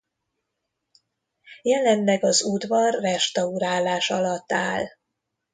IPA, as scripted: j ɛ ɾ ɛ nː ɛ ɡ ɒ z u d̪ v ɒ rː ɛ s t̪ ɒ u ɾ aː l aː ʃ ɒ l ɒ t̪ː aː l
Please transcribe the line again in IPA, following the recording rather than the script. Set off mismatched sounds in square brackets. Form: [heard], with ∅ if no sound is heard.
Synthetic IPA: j ɛ [l] ɛ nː ɛ ɡ ɒ z u d̪ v ɒ rː ɛ [ʃ] t̪ ɒ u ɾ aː l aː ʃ ɒ l ɒ t̪ː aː l